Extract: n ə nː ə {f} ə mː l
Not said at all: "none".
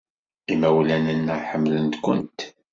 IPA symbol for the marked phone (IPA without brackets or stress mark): ħ